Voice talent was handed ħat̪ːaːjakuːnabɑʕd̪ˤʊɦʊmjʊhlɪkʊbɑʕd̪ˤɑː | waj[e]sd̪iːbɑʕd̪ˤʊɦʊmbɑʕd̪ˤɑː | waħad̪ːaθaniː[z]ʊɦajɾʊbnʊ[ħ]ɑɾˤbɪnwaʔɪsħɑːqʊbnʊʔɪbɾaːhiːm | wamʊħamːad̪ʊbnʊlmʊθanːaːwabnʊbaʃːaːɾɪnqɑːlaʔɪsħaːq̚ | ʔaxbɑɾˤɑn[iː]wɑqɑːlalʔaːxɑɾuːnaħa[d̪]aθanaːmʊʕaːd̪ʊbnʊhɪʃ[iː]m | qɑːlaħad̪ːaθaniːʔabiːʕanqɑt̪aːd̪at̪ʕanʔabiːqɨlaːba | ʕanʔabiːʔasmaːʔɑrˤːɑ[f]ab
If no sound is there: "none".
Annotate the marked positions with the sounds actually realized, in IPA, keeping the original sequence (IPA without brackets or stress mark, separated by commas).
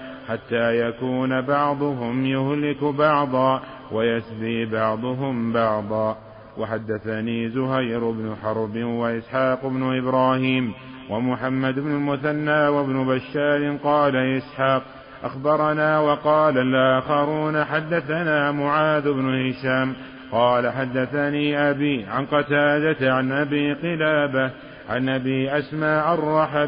a, z, ħ, aː, d̪ː, aː, ħ